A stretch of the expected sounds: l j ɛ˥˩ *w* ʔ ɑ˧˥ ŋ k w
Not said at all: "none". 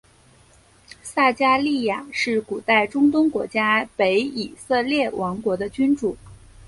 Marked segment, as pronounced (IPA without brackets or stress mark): w